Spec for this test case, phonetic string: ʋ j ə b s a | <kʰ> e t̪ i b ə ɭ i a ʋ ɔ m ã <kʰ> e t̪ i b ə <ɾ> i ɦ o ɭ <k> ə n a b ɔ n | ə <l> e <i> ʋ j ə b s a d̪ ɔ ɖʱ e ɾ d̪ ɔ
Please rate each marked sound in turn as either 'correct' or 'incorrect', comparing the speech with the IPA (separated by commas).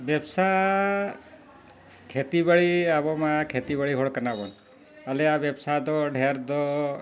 correct, correct, incorrect, correct, correct, incorrect